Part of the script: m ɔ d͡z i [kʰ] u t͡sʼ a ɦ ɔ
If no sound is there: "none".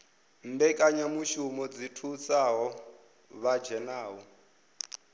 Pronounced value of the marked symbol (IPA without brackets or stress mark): tʰ